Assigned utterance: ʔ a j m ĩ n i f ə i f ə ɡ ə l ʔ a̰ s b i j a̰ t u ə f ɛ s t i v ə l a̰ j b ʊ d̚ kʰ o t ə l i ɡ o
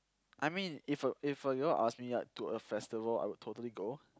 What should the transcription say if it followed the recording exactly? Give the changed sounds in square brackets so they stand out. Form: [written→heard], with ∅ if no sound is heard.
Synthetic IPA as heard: ʔ a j m ĩ n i f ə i f ə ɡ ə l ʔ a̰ s [b→m] i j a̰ t u ə f ɛ s t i v ə l a̰ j [b→w] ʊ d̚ [kʰ→tʰ] o t ə l i ɡ o